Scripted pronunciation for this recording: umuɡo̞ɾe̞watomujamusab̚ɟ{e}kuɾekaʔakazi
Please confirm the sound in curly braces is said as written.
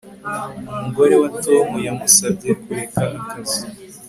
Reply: yes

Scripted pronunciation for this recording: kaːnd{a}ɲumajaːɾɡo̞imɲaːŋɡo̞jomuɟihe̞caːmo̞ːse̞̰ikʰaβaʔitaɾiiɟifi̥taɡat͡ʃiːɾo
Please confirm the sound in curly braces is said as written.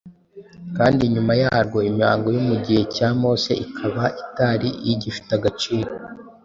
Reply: no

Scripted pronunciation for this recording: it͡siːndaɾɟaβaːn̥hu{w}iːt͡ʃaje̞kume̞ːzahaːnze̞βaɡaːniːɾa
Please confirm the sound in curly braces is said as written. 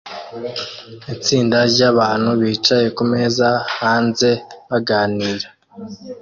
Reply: no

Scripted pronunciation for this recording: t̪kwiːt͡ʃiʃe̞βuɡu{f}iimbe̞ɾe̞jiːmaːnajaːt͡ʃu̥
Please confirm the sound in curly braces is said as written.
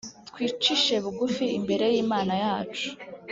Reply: yes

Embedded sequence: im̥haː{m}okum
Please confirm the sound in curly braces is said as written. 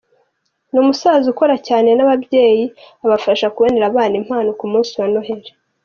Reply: no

